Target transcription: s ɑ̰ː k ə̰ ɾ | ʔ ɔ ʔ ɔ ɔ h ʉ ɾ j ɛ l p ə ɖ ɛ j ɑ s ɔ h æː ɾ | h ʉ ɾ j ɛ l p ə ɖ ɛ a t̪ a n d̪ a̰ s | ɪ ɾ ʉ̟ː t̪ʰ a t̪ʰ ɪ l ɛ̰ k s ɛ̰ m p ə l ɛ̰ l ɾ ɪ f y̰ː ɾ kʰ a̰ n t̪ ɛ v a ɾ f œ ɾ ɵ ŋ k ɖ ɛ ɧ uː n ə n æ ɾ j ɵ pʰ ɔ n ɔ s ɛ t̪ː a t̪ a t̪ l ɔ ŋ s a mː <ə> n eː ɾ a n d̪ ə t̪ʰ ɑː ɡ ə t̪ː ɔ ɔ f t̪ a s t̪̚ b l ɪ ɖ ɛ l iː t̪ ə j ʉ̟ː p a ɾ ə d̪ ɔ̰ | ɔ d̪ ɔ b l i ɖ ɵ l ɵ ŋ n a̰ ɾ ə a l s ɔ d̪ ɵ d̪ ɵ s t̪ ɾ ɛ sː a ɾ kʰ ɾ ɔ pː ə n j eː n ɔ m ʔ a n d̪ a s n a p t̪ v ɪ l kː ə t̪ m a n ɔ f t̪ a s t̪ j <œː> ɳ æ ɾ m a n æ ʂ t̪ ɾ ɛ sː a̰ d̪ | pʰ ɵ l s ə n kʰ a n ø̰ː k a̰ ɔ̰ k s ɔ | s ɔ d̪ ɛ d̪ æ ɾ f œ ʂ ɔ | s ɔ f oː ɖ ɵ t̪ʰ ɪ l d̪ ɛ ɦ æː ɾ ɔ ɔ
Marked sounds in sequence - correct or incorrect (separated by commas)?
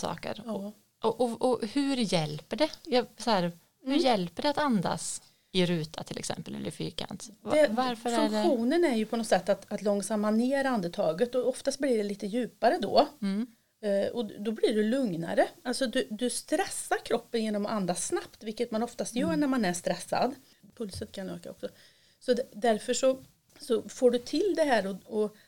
incorrect, correct